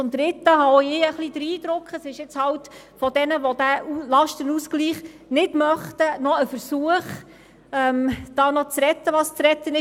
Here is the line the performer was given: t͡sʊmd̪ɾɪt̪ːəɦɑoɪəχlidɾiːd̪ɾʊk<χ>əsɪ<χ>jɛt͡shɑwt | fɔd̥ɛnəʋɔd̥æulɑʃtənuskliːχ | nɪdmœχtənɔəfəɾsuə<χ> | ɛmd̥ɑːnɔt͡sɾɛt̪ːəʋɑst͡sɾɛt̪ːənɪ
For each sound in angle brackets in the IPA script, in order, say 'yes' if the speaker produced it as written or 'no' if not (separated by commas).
yes, no, yes